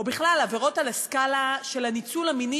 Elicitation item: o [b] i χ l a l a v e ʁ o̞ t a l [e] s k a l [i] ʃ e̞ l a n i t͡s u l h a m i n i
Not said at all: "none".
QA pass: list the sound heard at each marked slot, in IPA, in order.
b, a, a

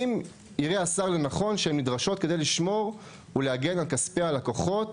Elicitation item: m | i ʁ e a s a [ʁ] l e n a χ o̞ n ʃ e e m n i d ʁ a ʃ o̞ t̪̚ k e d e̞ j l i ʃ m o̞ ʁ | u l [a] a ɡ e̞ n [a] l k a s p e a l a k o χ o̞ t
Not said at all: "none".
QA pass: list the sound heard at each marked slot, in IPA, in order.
ʁ, e, a

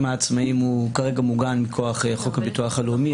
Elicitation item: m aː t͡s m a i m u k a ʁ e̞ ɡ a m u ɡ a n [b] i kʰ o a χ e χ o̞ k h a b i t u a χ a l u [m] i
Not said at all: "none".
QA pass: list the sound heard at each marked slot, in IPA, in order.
m, m

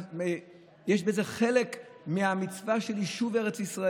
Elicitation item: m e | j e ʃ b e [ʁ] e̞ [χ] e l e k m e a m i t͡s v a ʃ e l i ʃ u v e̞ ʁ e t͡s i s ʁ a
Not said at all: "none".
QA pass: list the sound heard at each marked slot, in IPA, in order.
z, χ

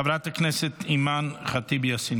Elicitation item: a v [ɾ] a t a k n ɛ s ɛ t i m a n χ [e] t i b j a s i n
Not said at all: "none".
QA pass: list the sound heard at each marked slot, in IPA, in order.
ɾ, a

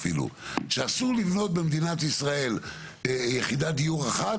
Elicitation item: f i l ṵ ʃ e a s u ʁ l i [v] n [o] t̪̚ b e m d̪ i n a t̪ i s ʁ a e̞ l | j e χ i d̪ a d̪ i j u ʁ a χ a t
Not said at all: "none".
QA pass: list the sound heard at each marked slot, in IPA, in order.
v, o

